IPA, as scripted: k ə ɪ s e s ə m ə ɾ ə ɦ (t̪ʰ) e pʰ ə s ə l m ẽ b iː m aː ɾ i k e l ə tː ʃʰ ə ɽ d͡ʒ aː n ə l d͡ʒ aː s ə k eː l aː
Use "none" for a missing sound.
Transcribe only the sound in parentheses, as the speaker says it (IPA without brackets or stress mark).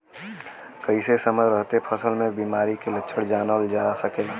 t̪